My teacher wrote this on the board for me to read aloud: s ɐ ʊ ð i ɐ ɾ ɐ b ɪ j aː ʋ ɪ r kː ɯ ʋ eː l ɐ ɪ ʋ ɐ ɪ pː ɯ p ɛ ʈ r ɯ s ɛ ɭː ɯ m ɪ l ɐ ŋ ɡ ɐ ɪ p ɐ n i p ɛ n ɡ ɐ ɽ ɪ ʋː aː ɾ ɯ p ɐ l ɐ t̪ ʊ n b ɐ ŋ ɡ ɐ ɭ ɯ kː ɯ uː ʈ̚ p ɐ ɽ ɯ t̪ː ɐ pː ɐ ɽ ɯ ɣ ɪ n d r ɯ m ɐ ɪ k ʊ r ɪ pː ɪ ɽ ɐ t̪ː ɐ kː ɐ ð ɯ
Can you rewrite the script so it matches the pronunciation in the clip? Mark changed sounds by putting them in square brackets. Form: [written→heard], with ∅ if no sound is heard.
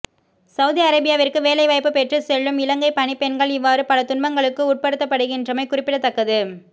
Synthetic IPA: s ɐ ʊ ð i ɐ ɾ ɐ b ɪ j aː ʋ ɪ r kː ɯ ʋ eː l ɐ ɪ ʋ ɐ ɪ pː ɯ p ɛ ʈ r ɯ s ɛ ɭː ɯ m ɪ l ɐ ŋ ɡ ɐ ɪ p ɐ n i p ɛ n ɡ ɐ [ɽ→ɭ] ɪ ʋː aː ɾ ɯ p ɐ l ɐ t̪ ʊ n b ɐ ŋ ɡ ɐ ɭ ɯ kː ɯ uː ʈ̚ p ɐ ɽ ɯ t̪ː ɐ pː ɐ ɽ ɯ ɣ ɪ n d r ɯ m ɐ ɪ k ʊ r ɪ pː ɪ ɽ ɐ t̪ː ɐ kː ɐ ð ɯ